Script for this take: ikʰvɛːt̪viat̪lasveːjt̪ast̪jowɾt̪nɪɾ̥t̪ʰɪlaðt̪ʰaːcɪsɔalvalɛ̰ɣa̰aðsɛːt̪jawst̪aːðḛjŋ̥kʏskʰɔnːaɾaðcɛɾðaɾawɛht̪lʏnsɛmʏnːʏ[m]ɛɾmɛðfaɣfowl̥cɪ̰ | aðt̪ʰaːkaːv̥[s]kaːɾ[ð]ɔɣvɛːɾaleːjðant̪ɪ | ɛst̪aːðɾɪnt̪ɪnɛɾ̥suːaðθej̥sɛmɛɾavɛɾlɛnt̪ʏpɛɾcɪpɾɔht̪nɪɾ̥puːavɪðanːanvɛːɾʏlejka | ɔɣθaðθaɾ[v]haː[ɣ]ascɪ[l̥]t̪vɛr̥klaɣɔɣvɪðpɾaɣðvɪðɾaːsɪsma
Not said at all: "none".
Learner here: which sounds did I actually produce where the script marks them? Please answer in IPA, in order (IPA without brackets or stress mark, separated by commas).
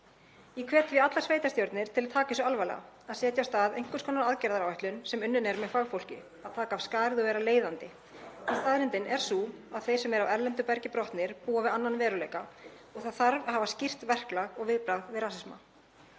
n, s, ð, v, v, r̥